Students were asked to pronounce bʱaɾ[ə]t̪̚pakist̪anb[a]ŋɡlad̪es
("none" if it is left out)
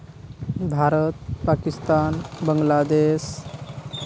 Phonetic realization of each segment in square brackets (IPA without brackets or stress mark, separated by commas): ə, ə